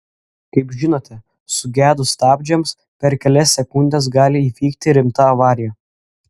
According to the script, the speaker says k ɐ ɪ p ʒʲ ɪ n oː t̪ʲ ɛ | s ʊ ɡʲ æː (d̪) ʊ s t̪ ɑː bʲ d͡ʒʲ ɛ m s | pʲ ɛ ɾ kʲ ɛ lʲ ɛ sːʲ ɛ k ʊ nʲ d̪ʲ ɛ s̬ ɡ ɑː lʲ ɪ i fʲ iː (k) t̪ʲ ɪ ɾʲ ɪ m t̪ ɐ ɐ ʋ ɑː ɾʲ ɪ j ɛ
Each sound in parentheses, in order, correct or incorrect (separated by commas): correct, correct